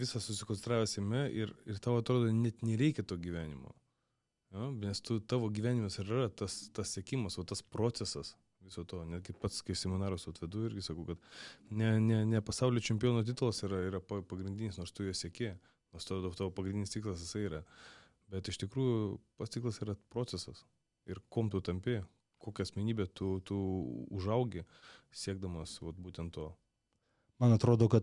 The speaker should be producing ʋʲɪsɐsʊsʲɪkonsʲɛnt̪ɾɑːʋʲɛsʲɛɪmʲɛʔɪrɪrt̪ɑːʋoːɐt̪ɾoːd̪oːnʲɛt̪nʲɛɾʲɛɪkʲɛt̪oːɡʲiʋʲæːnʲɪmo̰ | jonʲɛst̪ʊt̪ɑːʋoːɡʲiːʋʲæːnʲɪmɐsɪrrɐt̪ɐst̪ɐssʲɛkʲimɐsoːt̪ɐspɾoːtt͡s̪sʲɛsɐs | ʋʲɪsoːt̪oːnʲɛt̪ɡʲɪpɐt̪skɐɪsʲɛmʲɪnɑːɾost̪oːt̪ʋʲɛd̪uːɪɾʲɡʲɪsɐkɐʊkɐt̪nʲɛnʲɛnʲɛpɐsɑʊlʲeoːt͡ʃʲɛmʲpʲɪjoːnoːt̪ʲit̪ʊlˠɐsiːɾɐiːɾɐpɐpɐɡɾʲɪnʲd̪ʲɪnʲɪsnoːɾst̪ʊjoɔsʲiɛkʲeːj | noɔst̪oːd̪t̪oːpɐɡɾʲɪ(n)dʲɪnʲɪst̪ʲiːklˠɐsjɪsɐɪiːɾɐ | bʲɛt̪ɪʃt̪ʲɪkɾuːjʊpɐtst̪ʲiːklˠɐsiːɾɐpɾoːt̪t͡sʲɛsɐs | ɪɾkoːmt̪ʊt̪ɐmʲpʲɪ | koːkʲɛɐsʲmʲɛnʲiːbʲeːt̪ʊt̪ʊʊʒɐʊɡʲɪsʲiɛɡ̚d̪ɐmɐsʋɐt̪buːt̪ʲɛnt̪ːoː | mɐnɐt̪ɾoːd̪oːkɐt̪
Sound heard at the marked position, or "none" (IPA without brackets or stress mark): n